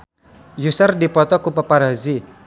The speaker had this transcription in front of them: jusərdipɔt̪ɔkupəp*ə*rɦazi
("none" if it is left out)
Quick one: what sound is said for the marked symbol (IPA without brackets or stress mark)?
a